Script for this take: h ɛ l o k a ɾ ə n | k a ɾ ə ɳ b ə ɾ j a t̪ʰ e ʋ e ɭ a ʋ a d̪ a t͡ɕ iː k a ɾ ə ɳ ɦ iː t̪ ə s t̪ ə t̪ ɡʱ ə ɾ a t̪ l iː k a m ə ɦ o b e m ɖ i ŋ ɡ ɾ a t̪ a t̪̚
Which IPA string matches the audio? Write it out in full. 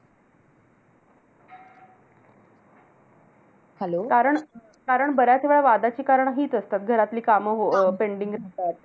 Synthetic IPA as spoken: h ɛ l o k a ɾ ə ɳ | k a ɾ ə ɳ b ə ɾ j a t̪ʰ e ʋ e ɭ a ʋ a d̪ a t͡ɕ iː k a ɾ ə ɳ ɦ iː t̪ ə s t̪ a t̪ ɡʱ ə ɾ a t̪ l iː k a m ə ɦ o p e ɳ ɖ i ŋ ɡ ɾ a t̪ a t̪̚